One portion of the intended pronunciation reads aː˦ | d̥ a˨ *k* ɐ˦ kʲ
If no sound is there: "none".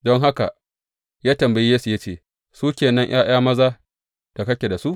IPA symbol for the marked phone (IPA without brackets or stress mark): k